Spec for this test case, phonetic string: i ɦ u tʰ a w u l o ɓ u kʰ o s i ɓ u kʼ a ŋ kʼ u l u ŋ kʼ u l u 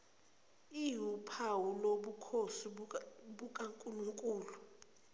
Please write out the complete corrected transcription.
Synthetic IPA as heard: i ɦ u pʰ a w u l o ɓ u kʰ o s i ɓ u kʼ a ŋ kʼ u l u ŋ kʼ uː l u